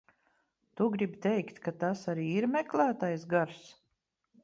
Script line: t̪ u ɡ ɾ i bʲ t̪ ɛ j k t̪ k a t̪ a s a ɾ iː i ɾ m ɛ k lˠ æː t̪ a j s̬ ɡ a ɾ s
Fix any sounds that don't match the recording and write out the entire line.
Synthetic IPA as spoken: t̪ u ɡ ɾ i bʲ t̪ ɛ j k t̪ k a t̪ a s a ɾ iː i ɾ m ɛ k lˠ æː t̪ a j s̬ ɡ a ɾ s

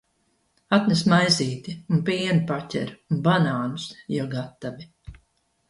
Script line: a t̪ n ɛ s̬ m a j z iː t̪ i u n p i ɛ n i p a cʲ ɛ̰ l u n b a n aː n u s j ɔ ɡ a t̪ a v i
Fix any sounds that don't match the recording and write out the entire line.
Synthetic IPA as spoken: a t̪ n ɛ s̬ m a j z iː t̪ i u n p i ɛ n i p a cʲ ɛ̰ ɾ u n b a n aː n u s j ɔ ɡ a t̪ a v i

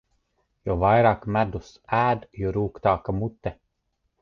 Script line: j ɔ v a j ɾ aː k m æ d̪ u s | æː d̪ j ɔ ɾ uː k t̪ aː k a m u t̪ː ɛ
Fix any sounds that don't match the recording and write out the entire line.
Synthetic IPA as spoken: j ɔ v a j ɾ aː k m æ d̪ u s | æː d̪ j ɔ ɾ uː k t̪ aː k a m u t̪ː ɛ

